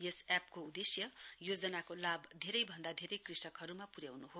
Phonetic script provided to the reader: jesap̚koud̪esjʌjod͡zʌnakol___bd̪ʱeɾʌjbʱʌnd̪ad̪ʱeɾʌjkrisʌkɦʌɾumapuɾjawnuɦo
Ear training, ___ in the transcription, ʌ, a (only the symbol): a